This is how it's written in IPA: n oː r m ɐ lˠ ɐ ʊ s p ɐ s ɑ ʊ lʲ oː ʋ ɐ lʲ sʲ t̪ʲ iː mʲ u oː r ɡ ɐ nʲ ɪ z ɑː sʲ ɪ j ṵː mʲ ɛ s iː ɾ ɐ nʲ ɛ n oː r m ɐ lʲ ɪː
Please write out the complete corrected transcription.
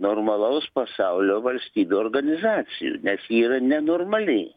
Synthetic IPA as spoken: n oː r m ɐ lˠ ɐ ʊ s p ɐ s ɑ ʊ lʲ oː ʋ ɐ lʲ sʲ t̪ʲ iː bʲ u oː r ɡ ɐ nʲ ɪ z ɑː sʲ ɪ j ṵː nʲ ɛ s iː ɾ ɐ nʲ ɛ n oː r m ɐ lʲ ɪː

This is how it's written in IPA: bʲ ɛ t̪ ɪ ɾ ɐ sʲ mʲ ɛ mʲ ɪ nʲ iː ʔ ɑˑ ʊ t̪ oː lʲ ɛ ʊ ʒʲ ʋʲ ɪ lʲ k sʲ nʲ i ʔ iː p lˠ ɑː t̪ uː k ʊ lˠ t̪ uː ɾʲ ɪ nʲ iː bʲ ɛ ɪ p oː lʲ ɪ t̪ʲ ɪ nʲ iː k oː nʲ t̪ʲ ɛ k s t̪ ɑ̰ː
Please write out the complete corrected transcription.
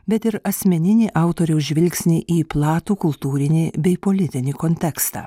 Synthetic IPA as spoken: bʲ ɛ t̪ ɪ ɾ ɐ sʲ mʲ ɛ nʲ ɪ nʲ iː ʔ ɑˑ ʊ t̪ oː ɾʲ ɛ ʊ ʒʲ ʋʲ ɪ lʲ k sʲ nʲ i ʔ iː p lˠ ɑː t̪ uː k ʊ lˠ t̪ uː ɾʲ ɪ nʲ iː bʲ ɛ ɪ p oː lʲ ɪ t̪ʲ ɪ nʲ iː k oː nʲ t̪ʲ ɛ k s t̪ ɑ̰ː

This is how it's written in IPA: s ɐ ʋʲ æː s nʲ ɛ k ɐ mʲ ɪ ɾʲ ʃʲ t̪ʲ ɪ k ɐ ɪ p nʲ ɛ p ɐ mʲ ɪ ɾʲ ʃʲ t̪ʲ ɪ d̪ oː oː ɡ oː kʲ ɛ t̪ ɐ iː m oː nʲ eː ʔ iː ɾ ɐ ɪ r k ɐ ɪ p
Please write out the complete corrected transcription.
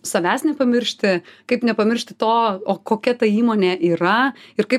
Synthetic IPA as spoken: s ɐ ʋʲ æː s nʲ ɛ p ɐ mʲ ɪ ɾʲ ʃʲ t̪ʲ ɪ k ɐ ɪ p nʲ ɛ p ɐ mʲ ɪ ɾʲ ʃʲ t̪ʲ ɪ t̪ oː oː k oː kʲ ɛ t̪ ɐ iː m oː nʲ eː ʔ iː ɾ ɐ ɪ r k ɐ ɪ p

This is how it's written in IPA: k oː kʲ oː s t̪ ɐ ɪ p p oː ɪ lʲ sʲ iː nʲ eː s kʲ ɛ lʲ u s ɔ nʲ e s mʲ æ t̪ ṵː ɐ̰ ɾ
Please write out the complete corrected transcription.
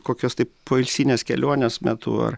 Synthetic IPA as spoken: k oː kʲ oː s t̪ ɐ ɪ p p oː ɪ lʲ sʲ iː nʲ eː s kʲ ɛ lʲ u ɔ nʲ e s mʲ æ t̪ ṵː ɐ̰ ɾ

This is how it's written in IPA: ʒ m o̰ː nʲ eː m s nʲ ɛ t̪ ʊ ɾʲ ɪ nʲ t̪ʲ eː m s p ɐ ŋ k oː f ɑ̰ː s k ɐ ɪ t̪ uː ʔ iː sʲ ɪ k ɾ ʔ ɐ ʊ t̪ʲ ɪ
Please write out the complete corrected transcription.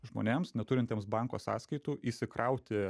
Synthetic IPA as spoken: ʒ m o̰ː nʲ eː m s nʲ ɛ t̪ ʊ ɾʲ ɪ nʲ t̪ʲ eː m s b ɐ ŋ k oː s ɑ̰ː s k ɐ ɪ t̪ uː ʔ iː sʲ ɪ k ɾ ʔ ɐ ʊ t̪ʲ ɪ

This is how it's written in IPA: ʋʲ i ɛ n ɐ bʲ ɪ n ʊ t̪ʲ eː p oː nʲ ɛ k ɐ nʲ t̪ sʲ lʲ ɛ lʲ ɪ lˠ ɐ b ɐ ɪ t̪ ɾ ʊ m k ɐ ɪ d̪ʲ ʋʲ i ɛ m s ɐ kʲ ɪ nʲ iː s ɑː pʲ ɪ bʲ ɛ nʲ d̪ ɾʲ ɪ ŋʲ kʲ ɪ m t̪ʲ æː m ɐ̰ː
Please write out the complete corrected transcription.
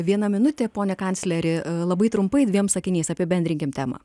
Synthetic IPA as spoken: ʋʲ i ɛ n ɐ mʲ ɪ n ʊ t̪ʲ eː p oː nʲ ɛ k ɐ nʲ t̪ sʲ lʲ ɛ ɾʲ ɪ lˠ ɐ b ɐ ɪ t̪ ɾ ʊ m p ɐ ɪ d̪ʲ ʋʲ i ɛ m s ɐ kʲ ɪ nʲ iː s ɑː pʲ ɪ bʲ ɛ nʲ d̪ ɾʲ ɪ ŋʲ kʲ ɪ m t̪ʲ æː m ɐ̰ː

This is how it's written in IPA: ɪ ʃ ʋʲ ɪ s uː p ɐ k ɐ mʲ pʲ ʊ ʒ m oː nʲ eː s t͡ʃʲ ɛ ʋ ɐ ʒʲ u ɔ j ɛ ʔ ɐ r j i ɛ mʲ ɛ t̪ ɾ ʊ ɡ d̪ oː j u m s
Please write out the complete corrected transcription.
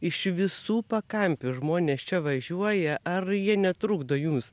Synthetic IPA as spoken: ɪ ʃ ʋʲ ɪ s uː p ɐ k ɐ mʲ pʲ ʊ ʒ m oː nʲ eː s t͡ʃʲ ɛ ʋ ɐ ʒʲ u ɔ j ɛ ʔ ɐ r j i ɛ nʲ ɛ t̪ ɾ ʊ ɡ d̪ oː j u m s

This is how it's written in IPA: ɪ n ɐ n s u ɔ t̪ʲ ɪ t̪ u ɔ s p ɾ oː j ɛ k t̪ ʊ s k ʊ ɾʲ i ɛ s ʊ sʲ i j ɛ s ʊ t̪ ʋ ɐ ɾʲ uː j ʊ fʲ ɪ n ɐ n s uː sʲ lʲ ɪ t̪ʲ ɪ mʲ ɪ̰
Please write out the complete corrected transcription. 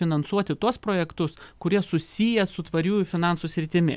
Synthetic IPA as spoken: ɪ n ɐ n s u ɔ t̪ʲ ɪ t̪ u ɔ s p ɾ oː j ɛ k t̪ ʊ s k ʊ ɾʲ i ɛ s ʊ sʲ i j ɛ s ʊ t̪ ʋ ɐ ɾʲ uː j ʊ fʲ ɪ n ɑ n s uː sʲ ɾʲ ɪ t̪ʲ ɪ mʲ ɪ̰

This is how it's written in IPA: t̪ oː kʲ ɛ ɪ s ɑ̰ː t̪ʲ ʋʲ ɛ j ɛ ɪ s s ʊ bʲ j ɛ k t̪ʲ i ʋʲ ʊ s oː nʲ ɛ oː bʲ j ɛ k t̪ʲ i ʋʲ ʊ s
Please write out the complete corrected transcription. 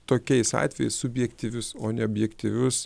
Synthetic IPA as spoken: t̪ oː kʲ ɛ ɪ s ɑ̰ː t̪ʲ ʋʲ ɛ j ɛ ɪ s s ʊ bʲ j ɛ k t̪ʲ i ʋʲ ʊ s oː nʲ ɛ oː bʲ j ɛ k t̪ʲ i ʋʲ ʊ s

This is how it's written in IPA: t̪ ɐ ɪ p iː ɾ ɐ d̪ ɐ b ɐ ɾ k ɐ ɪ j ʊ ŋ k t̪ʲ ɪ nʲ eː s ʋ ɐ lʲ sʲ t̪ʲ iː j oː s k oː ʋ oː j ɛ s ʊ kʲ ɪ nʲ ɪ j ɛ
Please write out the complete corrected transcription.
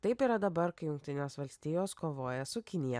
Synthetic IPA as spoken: t̪ ɐ ɪ p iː ɾ ɐ d̪ ɐ b ɐ ɾ k ɐ ɪ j ʊ ŋ k t̪ʲ ɪ nʲ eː s ʋ ɐ lʲ sʲ t̪ʲ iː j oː s k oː ʋ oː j ɛ s ʊ kʲ ɪ nʲ ɪ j ɛ

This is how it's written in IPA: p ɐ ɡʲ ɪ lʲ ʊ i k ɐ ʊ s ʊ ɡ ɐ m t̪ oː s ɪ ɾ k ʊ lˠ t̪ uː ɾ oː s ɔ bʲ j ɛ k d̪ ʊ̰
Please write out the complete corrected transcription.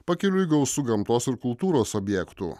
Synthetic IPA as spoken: p ɐ kʲ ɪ lʲ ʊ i ɡ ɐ ʊ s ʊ ɡ ɐ m t̪ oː s ɪ ɾ k ʊ lˠ t̪ uː ɾ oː s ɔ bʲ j ɛ k t̪ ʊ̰

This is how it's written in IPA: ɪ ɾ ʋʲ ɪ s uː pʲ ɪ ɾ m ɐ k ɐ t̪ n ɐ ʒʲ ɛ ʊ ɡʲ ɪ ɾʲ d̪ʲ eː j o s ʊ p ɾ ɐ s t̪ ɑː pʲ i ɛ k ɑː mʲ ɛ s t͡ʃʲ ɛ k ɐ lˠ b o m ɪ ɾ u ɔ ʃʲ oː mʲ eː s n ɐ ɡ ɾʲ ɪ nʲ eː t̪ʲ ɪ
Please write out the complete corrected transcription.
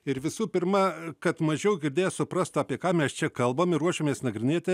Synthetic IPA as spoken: ɪ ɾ ʋʲ ɪ s uː pʲ ɪ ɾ m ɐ k ɐ t̪ m ɐ ʒʲ ɛ ʊ ɡʲ ɪ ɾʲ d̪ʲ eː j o s ʊ p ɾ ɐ s t̪ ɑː pʲ i ɛ k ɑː mʲ ɛ s t͡ʃʲ ɛ k ɐ lˠ b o m ɪ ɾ u ɔ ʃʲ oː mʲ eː s n ɐ ɡ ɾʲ ɪ nʲ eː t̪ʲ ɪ

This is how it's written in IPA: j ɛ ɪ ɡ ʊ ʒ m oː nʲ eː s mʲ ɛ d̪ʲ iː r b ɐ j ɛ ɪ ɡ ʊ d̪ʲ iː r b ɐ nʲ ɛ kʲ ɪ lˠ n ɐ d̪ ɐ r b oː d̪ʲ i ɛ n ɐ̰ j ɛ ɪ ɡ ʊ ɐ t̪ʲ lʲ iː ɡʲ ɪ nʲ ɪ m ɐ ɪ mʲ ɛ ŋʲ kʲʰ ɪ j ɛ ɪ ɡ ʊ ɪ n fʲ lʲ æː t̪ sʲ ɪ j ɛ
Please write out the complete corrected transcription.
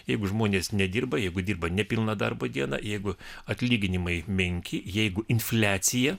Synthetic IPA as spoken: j ɛ ɪ ɡ ʊ ʒ m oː nʲ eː s nʲ ɛ d̪ʲ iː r b ɐ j ɛ ɪ ɡ ʊ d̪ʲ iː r b ɐ nʲ ɛ pʲ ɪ lˠ n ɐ d̪ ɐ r b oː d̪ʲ i ɛ n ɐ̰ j ɛ ɪ ɡ ʊ ɐ t̪ʲ lʲ iː ɡʲ ɪ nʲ ɪ m ɐ ɪ mʲ ɛ ŋʲ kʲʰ ɪ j ɛ ɪ ɡ ʊ ɪ n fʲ lʲ æː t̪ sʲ ɪ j ɛ

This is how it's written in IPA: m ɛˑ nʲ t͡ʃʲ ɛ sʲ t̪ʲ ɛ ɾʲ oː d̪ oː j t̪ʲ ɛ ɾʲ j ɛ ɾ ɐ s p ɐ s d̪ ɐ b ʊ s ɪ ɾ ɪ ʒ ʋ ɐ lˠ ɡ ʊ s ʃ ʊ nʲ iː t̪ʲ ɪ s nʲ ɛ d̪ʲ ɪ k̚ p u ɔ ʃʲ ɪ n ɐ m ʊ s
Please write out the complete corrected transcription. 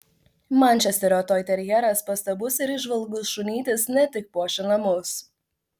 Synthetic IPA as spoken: m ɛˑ nʲ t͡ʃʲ ɛ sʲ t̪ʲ ɛ ɾʲ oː t̪ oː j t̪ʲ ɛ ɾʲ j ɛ ɾ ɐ s p ɐ s t̪ ɐ b ʊ s ɪ ɾ ɪ ʒ ʋ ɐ lˠ ɡ ʊ s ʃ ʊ nʲ iː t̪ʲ ɪ s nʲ ɛ t̪ʲ ɪ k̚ p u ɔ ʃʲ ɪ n ɐ m ʊ s

